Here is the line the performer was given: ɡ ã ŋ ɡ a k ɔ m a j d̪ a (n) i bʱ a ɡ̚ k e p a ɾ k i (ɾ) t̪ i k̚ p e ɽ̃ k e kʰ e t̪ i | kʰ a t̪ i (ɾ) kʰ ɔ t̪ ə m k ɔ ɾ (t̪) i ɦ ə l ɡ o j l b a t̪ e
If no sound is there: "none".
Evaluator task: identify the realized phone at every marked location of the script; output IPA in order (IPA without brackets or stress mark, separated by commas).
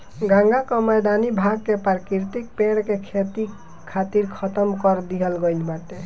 n, ɾ, ɾ, d̪